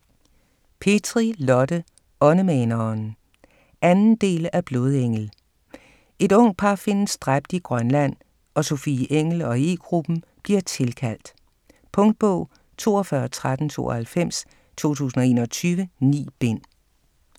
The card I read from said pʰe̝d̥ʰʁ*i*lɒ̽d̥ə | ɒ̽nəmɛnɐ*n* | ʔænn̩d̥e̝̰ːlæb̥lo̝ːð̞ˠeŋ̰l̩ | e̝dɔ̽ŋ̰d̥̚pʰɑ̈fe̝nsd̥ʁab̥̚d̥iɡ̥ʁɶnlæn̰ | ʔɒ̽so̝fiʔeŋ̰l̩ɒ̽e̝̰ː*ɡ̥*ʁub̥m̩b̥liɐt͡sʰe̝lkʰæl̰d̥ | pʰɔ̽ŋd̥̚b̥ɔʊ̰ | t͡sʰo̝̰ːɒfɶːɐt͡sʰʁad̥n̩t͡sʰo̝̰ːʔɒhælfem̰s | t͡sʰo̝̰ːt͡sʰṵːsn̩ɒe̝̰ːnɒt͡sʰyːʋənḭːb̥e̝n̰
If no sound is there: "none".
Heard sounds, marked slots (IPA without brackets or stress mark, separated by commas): i, n, ɡ̥